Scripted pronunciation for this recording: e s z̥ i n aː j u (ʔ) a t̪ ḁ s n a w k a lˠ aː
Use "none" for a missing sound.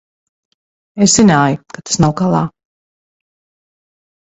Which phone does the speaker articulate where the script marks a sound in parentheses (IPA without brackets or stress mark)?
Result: k